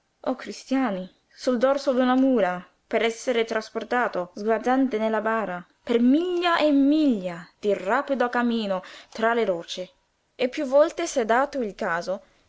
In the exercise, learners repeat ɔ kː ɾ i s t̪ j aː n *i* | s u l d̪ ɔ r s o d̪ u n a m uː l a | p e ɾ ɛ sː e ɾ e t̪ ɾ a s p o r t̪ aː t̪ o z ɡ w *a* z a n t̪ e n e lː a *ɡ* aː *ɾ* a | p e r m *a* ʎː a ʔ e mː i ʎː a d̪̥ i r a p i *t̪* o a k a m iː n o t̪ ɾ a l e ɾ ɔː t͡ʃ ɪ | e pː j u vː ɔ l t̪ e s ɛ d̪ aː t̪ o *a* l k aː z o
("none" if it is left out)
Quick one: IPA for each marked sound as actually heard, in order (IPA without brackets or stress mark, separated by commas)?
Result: i, a, b, ɾ, i, d̪, i